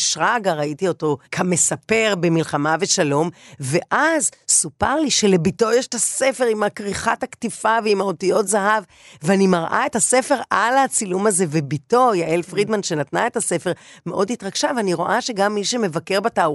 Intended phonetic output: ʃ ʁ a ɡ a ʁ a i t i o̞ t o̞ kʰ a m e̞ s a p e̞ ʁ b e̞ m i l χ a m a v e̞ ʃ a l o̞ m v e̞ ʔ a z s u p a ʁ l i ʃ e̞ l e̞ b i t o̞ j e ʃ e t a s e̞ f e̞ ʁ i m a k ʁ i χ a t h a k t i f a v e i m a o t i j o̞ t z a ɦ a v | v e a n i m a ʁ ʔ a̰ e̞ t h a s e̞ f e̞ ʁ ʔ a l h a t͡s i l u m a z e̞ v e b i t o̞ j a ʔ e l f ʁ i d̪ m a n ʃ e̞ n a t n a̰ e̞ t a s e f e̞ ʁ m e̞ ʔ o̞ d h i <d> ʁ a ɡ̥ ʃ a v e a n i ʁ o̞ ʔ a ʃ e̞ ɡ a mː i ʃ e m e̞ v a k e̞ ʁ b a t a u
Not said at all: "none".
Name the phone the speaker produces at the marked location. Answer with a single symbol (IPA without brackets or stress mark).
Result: t